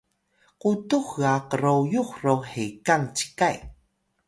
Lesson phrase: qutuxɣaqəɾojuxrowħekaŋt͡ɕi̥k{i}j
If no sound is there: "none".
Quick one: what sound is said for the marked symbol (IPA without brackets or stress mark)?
a